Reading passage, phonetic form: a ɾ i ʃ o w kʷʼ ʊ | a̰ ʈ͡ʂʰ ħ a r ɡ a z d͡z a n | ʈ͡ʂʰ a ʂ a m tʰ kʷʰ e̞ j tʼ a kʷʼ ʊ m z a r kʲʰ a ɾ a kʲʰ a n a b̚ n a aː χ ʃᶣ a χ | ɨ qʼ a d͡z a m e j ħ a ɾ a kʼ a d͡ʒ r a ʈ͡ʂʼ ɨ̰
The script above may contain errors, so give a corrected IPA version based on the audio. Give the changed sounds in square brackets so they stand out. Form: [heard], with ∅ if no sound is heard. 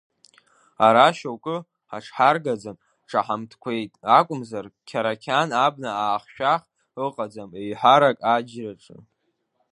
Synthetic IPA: a ɾ [a] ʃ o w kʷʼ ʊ | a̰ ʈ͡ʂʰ ħ a r ɡ a [∅] d͡z a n | ʈ͡ʂʰ a [ħ] a m tʰ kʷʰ e̞ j tʼ a kʷʼ ʊ m z a r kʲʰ a ɾ a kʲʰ a n a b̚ n a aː χ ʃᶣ a χ | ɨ qʼ a d͡z a m e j ħ a ɾ a kʼ a d͡ʒ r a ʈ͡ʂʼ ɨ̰